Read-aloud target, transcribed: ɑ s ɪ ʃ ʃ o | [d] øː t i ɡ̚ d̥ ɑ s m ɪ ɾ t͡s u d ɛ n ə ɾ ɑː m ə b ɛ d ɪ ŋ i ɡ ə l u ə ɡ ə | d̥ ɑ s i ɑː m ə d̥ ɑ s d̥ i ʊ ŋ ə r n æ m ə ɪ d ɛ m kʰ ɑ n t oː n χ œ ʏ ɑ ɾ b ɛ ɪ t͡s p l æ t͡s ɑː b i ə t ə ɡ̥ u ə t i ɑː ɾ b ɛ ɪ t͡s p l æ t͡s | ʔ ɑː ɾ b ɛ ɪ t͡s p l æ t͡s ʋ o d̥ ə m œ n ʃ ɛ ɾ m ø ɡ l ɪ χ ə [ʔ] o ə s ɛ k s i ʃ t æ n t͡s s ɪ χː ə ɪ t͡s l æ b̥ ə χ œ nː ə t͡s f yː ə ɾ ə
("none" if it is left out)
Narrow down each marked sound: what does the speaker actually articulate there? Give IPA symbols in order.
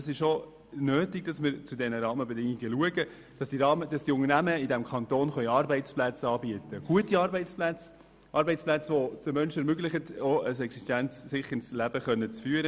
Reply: n, t

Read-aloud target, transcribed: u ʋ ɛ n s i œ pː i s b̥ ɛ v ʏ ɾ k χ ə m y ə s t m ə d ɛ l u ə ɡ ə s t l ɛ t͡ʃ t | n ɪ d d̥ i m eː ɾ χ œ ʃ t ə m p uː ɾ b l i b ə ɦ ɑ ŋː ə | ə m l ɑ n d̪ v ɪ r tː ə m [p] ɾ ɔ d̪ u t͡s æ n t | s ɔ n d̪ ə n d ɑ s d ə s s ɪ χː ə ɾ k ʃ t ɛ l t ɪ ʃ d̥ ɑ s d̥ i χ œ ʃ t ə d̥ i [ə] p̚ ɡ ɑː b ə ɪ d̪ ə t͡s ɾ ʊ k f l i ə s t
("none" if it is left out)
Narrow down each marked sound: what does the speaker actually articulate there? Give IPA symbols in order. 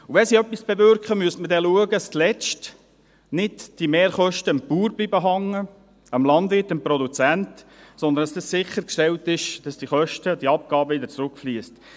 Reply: p, ɑ

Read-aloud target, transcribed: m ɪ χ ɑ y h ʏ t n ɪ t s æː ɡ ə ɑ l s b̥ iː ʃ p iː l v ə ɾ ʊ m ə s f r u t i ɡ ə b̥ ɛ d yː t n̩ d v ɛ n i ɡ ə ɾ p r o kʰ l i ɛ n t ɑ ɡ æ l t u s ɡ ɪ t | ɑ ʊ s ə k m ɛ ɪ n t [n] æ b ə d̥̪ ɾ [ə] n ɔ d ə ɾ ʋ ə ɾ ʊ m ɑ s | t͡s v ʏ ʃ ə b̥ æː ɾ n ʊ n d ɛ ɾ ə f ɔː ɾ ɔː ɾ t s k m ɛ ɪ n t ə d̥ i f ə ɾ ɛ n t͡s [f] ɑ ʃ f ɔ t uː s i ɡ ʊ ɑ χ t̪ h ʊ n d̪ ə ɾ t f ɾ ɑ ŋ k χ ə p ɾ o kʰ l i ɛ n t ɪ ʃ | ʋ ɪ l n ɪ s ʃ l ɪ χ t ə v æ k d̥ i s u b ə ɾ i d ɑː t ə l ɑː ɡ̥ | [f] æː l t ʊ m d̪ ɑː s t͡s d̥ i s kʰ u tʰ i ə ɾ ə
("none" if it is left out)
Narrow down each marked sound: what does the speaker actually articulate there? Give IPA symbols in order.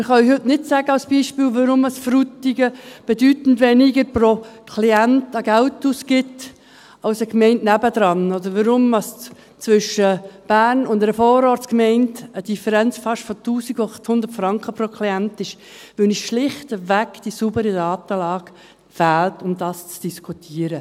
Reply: n, ɑ, f, f

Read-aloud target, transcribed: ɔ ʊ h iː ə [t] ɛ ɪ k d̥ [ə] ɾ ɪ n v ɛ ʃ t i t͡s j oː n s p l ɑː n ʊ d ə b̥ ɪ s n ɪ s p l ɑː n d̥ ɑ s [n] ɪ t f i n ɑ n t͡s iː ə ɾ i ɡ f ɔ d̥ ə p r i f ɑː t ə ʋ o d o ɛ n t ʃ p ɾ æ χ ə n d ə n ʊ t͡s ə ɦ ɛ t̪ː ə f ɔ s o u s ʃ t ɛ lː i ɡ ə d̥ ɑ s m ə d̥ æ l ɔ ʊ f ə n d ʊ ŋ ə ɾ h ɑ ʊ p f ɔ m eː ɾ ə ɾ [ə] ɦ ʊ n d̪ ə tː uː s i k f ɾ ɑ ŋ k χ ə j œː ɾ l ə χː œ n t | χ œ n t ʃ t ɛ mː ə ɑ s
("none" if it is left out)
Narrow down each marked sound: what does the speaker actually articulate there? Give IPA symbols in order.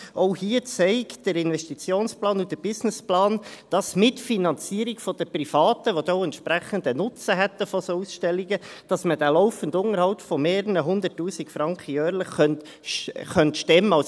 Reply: t͡s, ə, m, ə

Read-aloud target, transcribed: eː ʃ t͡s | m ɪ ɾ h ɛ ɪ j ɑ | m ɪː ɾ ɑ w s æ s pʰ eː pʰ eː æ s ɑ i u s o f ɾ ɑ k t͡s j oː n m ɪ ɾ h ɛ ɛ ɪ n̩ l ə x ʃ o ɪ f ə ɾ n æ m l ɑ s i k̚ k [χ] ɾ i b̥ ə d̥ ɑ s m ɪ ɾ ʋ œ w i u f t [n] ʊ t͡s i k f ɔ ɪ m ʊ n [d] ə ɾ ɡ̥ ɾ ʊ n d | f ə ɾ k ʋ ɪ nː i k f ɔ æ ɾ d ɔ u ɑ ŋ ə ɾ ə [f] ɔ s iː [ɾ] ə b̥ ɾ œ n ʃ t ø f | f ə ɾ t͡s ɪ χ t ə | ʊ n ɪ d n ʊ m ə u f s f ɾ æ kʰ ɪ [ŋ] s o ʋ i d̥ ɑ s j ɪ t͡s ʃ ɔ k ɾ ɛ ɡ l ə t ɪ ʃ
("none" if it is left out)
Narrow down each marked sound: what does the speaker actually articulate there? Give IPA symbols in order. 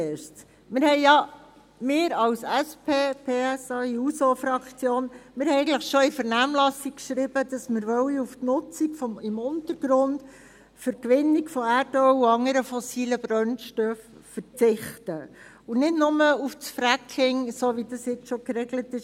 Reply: ʃ, n, t, f, l, ŋ

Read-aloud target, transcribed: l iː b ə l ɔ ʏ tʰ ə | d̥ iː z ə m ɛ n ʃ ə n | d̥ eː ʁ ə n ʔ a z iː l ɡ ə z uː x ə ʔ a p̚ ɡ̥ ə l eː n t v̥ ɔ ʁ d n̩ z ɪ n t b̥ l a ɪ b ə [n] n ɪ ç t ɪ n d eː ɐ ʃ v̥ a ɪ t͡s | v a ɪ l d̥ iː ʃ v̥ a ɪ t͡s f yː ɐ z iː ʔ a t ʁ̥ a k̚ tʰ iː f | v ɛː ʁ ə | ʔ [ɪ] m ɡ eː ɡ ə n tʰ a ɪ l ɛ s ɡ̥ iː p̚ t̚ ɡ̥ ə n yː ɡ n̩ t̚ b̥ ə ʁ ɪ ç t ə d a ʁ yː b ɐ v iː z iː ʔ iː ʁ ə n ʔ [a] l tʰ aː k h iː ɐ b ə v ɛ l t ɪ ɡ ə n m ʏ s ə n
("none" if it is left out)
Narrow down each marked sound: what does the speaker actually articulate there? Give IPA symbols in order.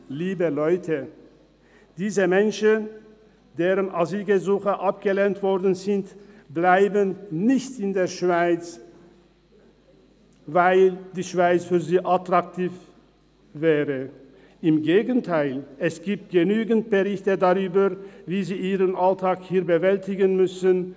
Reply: n, ɪ, a

